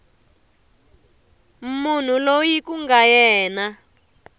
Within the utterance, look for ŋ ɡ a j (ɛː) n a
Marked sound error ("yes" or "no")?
no